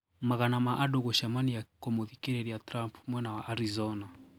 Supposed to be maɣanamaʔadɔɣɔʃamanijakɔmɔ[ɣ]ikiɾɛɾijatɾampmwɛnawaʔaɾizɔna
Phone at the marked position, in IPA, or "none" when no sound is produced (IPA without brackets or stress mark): ð